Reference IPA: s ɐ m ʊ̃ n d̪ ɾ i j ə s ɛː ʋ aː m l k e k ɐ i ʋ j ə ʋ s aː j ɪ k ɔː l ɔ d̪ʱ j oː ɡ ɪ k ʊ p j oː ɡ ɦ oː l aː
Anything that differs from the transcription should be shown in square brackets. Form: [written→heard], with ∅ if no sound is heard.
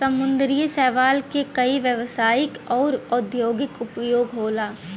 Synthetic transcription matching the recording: s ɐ m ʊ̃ n d̪ ɾ i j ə s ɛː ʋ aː [m→∅] l k e k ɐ i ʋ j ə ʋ s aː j ɪ k ɔː [l→ɾ] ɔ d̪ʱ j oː ɡ ɪ k ʊ p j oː ɡ ɦ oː l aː

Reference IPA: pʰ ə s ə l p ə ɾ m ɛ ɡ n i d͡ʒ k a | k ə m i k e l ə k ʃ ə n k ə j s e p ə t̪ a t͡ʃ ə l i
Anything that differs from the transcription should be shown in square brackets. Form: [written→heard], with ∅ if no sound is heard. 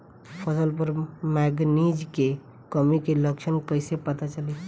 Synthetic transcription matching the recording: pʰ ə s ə l p ə ɾ m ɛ ɡ n i d͡ʒ k [a→e] | k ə m i k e l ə k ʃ ə n k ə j s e p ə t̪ a t͡ʃ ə l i

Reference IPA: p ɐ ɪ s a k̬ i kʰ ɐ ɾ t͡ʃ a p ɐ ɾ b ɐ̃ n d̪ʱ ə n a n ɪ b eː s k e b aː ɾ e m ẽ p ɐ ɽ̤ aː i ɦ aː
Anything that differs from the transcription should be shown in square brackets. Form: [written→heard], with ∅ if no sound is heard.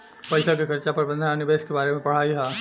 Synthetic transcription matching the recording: p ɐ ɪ s a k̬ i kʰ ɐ ɾ t͡ʃ a p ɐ ɾ b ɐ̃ n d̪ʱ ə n a n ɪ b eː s k e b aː ɾ e m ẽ p ɐ ɽ̤ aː i ɦ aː

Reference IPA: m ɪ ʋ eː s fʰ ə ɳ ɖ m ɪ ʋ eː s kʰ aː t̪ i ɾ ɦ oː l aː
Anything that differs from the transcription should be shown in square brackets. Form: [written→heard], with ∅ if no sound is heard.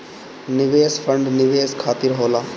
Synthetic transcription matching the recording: [m→n] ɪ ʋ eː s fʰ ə ɳ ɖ [m→n] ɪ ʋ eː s kʰ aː t̪ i ɾ ɦ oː l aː

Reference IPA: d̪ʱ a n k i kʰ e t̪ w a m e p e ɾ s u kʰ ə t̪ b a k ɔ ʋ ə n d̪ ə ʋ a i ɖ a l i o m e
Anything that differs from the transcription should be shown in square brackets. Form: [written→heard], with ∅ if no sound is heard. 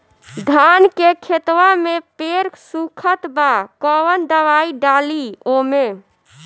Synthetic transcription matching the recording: d̪ʱ a n k [i→e] kʰ e t̪ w a m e p e ɾ s u kʰ ə t̪ b a k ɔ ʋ ə n d̪ ə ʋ a i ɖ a l i o m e

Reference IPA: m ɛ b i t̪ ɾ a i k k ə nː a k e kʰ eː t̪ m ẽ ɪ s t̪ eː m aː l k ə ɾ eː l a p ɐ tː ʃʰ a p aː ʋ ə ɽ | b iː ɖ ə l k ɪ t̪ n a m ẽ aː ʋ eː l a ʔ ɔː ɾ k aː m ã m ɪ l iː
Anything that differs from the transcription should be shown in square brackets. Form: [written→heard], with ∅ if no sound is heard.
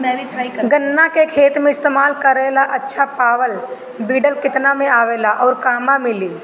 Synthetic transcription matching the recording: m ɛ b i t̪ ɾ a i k [k→ɡ] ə nː a k e kʰ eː t̪ m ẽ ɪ s t̪ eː m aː l k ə ɾ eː l a [p→ʔ] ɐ tː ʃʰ a p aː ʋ ə [ɽ→l] | b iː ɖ ə l k ɪ t̪ n a m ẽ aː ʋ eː l a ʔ ɔː ɾ k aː m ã m ɪ l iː

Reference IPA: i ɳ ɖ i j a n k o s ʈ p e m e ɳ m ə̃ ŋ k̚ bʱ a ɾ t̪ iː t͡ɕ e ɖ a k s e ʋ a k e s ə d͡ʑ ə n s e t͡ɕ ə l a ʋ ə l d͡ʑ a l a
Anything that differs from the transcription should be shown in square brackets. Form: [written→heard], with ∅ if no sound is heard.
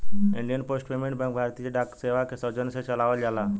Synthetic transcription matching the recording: i ɳ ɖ i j [a→ə] n [k→p] o s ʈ p e m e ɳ [m→b] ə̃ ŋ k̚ bʱ a ɾ t̪ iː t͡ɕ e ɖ a k s e ʋ a k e s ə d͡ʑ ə n s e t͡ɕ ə l a ʋ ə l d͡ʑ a l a

